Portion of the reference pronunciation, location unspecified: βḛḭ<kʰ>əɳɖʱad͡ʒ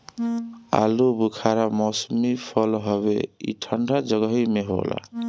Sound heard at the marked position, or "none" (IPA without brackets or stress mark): ʈʰ